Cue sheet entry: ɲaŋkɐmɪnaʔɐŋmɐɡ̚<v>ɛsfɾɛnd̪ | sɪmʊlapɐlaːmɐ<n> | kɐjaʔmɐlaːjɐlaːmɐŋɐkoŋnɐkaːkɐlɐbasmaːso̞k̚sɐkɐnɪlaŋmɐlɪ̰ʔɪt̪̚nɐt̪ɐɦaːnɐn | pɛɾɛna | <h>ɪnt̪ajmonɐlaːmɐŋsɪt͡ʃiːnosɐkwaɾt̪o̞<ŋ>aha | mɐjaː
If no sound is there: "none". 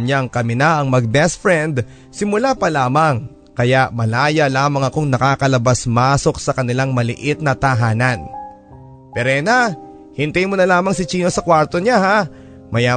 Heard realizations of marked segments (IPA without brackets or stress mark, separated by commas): b, ŋ, h, ɲ